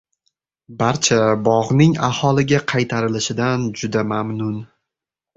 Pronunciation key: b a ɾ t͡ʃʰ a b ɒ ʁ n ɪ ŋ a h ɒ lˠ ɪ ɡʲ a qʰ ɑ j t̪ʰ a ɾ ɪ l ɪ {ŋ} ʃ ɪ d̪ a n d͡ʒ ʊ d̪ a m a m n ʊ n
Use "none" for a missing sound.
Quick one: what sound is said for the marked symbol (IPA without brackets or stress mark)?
none